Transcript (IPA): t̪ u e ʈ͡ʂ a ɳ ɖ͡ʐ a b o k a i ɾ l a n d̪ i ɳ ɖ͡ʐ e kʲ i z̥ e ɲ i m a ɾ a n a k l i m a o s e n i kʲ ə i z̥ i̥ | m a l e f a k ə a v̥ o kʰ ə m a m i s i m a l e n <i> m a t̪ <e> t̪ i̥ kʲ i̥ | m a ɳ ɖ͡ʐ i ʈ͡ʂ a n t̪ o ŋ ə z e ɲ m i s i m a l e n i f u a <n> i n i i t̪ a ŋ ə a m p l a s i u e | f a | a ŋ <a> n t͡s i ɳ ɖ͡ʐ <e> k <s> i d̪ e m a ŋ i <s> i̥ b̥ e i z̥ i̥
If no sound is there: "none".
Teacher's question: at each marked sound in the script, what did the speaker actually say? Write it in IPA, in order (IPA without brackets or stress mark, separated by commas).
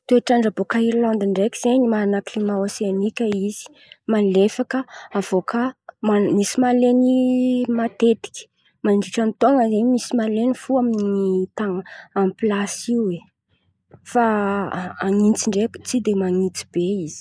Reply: i, e, m, i, e, t͡s, t͡s